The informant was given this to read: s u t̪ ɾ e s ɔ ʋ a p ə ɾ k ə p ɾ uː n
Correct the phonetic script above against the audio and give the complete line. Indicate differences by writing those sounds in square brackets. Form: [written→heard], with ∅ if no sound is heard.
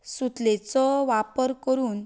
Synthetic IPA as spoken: s u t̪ [ɾ→l] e [s→t͡s] ɔ ʋ a p ə ɾ k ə [p→∅] ɾ uː n